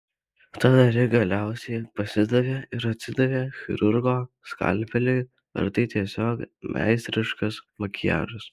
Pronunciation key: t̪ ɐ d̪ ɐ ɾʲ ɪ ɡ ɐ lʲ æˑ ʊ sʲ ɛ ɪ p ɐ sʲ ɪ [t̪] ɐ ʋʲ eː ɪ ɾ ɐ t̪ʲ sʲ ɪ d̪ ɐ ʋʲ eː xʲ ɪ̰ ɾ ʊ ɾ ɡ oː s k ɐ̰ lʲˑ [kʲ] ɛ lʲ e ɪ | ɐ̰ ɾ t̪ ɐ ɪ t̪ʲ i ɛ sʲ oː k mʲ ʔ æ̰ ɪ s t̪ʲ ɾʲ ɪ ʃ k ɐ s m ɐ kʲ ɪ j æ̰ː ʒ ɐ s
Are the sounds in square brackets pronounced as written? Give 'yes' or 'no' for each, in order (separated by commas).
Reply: no, no